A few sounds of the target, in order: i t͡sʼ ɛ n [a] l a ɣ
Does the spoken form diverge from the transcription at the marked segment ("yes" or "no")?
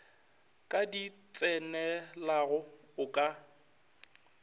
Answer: yes